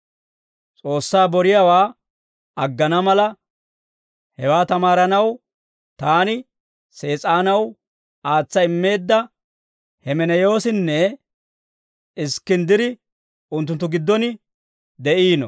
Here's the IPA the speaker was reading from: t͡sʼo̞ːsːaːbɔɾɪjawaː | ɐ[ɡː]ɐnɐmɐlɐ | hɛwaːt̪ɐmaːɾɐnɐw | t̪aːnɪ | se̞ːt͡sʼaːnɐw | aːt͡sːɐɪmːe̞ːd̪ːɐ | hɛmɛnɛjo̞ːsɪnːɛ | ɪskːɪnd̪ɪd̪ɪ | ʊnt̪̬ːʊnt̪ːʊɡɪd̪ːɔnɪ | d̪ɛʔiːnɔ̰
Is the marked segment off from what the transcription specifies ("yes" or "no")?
no